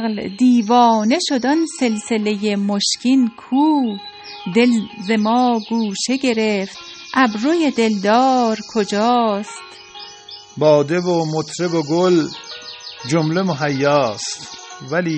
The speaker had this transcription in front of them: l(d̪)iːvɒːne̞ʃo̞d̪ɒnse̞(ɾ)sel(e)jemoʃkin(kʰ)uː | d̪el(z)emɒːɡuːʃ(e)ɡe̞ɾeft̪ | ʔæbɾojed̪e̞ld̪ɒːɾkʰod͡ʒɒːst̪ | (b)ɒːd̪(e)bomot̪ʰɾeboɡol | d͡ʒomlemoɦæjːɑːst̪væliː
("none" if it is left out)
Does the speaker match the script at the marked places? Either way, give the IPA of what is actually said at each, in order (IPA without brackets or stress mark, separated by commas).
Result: d̪, l, e, kʰ, z, e, b, e